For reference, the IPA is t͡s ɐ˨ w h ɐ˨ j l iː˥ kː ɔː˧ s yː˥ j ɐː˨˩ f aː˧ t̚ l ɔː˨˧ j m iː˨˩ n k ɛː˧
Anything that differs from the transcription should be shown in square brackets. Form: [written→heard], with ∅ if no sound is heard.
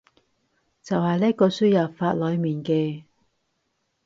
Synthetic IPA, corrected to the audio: t͡s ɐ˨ w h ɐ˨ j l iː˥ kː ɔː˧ s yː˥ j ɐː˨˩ f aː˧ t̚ l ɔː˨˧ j m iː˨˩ n k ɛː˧